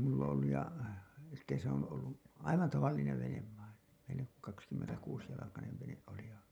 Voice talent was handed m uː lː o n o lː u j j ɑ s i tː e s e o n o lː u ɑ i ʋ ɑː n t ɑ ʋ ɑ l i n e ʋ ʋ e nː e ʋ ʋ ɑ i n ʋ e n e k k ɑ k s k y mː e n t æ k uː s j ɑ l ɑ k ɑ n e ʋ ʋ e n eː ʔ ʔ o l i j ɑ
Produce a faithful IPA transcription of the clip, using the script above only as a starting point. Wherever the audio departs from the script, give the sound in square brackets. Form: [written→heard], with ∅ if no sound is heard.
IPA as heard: m [uː→u] lː o n o lː u j j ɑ s i tː e s e o n o lː u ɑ i ʋ [ɑː→ɑ] n t ɑ ʋ ɑ [l→lː] i n e ʋ ʋ e [nː→n] e ʋ ʋ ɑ i n ʋ e n e k k ɑ k s k y mː e n t æ k uː s j ɑ l ɑ k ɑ n e ʋ ʋ e n [eː→e] ʔ ʔ o l i j ɑ